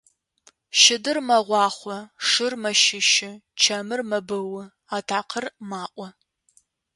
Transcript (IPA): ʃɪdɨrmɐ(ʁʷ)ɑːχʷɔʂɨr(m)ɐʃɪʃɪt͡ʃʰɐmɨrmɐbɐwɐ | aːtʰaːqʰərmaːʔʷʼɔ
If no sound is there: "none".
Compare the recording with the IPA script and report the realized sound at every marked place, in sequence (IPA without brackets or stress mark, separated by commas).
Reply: ʁʷ, m